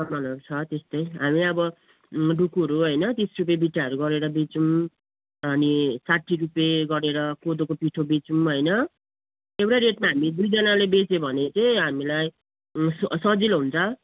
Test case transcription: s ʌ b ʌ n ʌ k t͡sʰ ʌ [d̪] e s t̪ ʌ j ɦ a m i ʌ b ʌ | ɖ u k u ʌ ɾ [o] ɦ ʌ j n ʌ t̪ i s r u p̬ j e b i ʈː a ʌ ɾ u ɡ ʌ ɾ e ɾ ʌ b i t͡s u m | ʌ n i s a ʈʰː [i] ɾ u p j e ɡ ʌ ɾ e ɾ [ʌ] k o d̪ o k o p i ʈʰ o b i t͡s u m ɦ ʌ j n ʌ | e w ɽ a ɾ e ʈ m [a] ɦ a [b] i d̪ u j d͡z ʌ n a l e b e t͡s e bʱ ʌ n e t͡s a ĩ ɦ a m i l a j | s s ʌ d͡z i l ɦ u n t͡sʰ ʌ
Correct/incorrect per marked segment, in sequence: incorrect: t̪, incorrect: u, correct, correct, correct, incorrect: m

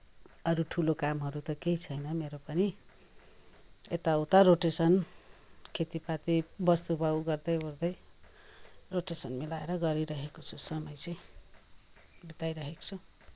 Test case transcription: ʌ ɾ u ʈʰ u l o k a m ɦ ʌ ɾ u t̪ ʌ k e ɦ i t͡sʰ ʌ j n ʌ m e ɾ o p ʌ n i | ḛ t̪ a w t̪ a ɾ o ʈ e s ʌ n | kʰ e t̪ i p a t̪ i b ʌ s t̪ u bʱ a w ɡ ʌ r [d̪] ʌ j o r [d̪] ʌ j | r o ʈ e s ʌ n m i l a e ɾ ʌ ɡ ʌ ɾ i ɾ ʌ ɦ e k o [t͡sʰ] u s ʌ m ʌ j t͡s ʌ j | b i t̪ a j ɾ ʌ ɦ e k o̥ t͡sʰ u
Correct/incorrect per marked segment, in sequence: correct, correct, correct

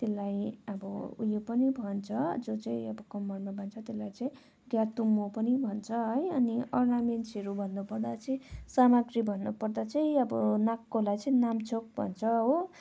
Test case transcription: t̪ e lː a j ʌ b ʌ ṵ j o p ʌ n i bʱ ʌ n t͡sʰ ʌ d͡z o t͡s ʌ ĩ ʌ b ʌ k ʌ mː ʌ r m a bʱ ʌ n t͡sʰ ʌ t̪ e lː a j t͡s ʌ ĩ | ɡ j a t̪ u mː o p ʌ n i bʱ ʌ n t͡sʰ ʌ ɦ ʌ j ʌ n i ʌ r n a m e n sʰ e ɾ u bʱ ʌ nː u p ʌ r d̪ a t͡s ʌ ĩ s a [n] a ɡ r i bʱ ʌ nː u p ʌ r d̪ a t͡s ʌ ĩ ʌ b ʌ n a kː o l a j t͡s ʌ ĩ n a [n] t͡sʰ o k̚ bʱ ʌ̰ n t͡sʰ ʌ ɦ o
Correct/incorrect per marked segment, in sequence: incorrect: m, incorrect: m

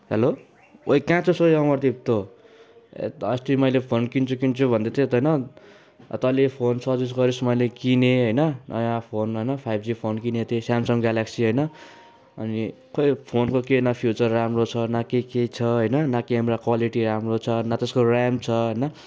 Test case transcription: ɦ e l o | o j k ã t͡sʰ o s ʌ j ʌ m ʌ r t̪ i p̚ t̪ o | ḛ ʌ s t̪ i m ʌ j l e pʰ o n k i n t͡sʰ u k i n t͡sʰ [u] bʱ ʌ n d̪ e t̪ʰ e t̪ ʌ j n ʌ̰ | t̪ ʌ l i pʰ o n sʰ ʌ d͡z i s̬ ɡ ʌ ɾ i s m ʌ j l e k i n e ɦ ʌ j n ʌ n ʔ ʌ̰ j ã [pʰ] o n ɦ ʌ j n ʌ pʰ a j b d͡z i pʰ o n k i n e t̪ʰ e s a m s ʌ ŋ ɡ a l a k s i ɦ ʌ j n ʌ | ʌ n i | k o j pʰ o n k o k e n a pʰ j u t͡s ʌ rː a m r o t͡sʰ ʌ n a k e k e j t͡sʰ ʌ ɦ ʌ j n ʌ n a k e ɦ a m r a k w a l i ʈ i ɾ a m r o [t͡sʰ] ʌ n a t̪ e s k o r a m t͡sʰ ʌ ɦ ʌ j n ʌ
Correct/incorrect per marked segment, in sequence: correct, correct, correct

